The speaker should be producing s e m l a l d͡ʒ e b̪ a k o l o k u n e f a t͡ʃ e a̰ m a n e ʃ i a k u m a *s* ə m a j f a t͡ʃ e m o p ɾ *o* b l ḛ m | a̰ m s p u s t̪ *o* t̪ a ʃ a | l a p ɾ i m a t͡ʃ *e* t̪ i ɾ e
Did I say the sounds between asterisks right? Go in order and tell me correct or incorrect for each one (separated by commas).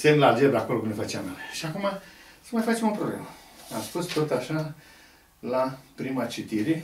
correct, correct, correct, incorrect